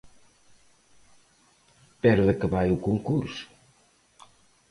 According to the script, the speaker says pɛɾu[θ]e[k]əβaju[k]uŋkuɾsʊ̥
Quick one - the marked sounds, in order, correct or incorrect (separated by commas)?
incorrect, correct, correct